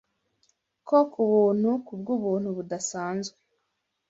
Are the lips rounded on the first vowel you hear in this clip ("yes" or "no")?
yes